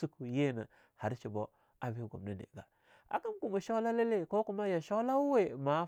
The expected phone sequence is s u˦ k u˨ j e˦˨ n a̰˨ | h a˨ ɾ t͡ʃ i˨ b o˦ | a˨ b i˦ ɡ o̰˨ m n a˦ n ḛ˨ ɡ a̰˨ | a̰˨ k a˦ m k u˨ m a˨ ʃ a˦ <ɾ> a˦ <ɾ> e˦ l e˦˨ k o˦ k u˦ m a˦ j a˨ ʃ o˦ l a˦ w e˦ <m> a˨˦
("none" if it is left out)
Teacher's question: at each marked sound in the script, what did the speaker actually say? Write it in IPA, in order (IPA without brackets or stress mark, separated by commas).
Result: l, l, m